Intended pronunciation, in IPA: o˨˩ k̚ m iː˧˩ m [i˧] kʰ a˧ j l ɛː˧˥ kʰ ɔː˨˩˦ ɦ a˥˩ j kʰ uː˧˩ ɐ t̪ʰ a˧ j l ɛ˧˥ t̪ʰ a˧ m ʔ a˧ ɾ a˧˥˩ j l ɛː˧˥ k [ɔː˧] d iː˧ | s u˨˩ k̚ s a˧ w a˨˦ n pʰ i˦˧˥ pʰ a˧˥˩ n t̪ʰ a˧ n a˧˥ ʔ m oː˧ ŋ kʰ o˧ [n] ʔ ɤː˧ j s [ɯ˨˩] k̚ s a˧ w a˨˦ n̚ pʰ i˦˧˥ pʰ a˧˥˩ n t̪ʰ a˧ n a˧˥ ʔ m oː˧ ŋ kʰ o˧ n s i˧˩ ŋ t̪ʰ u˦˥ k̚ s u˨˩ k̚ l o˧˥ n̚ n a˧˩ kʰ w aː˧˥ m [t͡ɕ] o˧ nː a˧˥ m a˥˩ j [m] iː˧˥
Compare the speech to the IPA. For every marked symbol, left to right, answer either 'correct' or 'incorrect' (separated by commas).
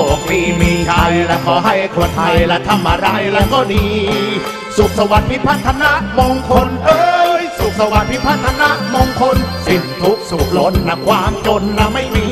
incorrect, incorrect, correct, incorrect, correct, correct